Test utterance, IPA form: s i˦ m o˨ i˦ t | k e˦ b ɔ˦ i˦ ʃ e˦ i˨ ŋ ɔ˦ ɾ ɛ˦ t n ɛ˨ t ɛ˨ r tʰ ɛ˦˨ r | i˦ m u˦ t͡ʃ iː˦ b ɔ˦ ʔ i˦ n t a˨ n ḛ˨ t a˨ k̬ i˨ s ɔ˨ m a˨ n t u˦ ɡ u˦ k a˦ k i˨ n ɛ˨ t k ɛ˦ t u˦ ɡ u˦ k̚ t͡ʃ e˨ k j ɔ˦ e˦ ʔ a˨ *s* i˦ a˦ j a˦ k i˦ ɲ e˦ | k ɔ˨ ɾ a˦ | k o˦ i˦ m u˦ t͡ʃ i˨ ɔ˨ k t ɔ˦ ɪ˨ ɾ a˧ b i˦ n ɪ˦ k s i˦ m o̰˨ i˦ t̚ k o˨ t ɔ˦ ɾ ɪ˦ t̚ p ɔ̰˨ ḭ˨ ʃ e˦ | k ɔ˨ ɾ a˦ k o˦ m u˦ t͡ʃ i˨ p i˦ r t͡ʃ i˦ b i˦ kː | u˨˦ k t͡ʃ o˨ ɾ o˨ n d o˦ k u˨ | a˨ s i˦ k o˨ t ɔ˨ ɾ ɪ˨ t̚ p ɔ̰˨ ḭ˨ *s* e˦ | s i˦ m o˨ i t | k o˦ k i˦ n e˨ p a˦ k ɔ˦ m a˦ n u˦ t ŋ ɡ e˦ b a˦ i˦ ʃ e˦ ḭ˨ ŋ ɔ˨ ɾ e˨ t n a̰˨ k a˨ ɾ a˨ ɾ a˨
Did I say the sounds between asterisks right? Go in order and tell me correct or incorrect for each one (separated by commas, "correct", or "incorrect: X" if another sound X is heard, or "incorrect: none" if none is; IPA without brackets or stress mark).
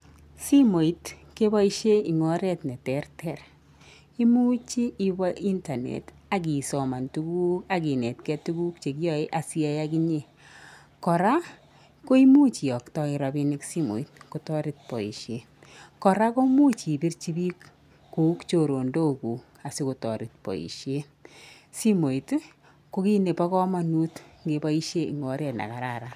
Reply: correct, incorrect: ʃ